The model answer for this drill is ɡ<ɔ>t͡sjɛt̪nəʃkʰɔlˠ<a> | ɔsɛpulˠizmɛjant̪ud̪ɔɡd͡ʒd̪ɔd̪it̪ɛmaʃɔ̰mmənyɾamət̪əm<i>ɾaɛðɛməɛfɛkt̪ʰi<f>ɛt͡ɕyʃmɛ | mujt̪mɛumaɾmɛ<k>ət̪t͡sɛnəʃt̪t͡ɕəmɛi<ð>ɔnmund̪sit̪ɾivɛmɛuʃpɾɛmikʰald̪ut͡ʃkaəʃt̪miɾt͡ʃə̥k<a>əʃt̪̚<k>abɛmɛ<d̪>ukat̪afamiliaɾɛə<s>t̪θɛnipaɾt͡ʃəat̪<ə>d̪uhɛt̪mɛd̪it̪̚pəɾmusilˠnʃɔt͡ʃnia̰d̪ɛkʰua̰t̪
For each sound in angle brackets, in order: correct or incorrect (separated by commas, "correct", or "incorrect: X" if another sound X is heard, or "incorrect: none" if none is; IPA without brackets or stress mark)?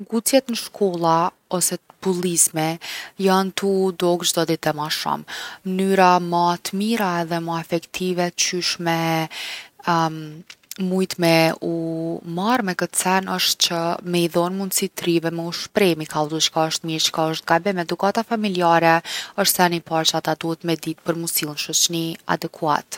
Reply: incorrect: u, correct, correct, incorrect: v, correct, correct, correct, incorrect: ɡ, correct, incorrect: ʃ, incorrect: a